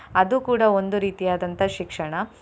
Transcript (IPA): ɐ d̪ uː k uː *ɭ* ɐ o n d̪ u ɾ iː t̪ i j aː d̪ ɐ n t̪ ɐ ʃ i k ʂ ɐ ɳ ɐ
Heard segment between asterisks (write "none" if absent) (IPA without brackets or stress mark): ɽ